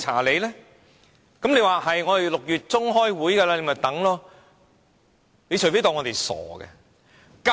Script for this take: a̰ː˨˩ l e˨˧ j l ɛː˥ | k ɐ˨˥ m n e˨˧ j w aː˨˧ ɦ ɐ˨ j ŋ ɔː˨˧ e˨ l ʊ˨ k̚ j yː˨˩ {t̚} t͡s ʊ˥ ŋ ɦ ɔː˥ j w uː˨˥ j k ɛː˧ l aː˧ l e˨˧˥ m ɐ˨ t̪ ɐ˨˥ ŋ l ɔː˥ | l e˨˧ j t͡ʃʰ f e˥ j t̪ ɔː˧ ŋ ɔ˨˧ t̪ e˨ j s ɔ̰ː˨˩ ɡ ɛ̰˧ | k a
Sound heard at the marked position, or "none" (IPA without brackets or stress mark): t̚